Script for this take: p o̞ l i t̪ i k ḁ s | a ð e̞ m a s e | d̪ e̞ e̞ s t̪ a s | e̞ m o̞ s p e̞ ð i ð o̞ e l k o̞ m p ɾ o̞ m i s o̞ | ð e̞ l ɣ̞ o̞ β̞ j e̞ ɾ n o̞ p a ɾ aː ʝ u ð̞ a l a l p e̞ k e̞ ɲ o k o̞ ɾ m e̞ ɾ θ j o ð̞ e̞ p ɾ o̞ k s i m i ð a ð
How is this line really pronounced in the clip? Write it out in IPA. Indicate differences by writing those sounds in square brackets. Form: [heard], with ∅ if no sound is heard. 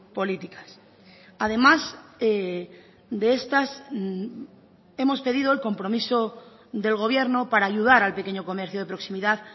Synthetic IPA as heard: p o̞ l i t̪ i k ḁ s | a ð e̞ m a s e | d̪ e̞ e̞ s t̪ a s | e̞ m o̞ s p e̞ ð i ð o̞ e l k o̞ m p ɾ o̞ m i s o̞ | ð e̞ l ɣ̞ o̞ β̞ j e̞ ɾ n o̞ p a ɾ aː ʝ u ð̞ a [ɾ] a l p e̞ k e̞ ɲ o k o̞ [∅] m e̞ ɾ θ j o ð̞ e̞ p ɾ o̞ k s i m i ð a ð